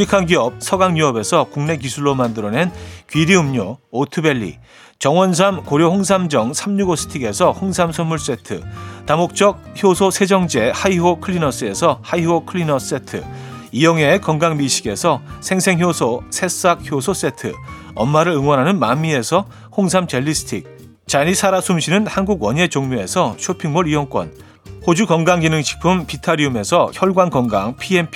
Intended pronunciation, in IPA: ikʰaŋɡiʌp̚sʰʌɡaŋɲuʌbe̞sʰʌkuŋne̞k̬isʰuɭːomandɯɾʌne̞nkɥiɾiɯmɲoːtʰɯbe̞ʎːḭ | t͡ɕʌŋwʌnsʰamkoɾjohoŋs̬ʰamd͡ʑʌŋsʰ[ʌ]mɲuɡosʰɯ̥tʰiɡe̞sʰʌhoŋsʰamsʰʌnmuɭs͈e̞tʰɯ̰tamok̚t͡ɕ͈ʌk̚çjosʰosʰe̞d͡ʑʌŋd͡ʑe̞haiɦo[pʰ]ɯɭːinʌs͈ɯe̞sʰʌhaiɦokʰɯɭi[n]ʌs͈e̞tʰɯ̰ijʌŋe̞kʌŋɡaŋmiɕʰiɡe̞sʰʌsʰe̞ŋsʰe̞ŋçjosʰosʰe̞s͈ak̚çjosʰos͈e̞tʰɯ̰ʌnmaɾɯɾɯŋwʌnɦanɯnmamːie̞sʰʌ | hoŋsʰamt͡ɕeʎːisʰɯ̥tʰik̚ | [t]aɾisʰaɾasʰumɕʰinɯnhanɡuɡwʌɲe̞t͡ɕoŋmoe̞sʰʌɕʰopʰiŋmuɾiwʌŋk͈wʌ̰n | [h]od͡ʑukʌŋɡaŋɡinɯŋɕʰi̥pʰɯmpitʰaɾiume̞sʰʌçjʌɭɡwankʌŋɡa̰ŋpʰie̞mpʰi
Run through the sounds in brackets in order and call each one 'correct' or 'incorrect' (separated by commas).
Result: incorrect, incorrect, correct, incorrect, correct